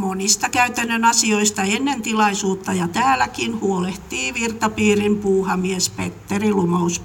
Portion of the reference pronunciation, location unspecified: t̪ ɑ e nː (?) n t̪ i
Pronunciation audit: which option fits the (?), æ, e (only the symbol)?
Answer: e